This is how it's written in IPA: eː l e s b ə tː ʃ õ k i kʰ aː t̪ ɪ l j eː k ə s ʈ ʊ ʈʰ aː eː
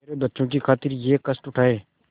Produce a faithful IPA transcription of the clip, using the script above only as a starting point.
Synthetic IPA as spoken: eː ɾ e b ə tː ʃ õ k i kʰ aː t̪ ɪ ɾ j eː k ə s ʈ ʊ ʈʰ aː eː